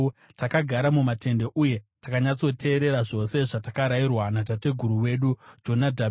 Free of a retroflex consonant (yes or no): no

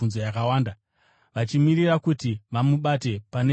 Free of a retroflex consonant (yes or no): yes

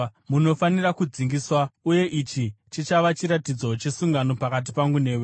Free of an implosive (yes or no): yes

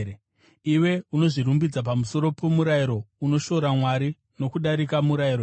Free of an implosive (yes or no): no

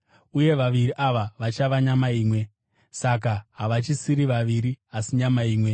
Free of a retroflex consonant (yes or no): yes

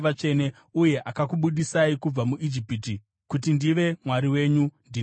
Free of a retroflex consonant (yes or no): yes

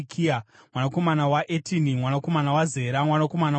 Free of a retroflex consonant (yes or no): yes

